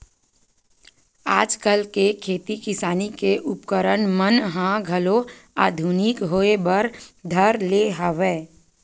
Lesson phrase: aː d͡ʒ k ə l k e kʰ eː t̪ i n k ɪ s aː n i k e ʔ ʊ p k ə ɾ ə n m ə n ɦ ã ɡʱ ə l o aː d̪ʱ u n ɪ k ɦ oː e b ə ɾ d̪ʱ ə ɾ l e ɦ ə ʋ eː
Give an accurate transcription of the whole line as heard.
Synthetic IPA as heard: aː d͡ʒ k ə l k e kʰ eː t̪ i k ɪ s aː n i k e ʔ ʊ p k ə ɾ ə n m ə n ɦ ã ɡʱ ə l o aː d̪ʱ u n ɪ k ɦ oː e b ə ɾ d̪ʱ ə ɾ l e ɦ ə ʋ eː